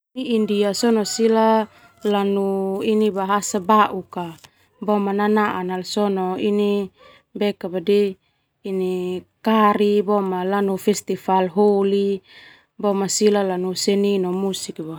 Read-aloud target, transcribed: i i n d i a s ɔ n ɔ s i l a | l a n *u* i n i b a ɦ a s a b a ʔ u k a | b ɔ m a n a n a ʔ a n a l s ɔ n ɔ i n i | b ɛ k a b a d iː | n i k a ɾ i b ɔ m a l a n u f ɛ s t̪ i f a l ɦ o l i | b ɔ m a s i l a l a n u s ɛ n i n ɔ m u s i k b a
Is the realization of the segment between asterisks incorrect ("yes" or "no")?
no